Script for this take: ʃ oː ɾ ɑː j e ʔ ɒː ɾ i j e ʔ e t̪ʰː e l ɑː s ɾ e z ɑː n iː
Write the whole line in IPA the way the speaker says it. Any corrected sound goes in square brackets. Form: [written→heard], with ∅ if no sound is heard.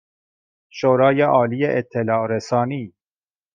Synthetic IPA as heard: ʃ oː ɾ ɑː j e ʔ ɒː [ɾ→l] i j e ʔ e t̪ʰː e l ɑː [s→∅] ɾ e [z→s] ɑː n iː